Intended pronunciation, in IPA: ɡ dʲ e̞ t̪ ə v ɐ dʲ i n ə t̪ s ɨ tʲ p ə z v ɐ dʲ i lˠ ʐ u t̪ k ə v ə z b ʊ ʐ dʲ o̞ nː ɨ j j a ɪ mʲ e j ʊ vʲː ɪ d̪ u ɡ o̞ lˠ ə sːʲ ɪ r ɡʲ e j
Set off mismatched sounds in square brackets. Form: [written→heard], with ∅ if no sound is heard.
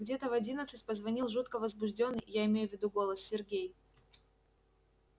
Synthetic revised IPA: ɡ dʲ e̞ t̪ ə v ɐ dʲ i n ə t̪ s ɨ tʲ p ə z v ɐ [dʲ→nʲ] i lˠ ʐ u t̪ k ə v ə z b ʊ ʐ dʲ o̞ nː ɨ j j a ɪ mʲ e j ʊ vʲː ɪ d̪ u ɡ o̞ lˠ ə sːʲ ɪ r ɡʲ e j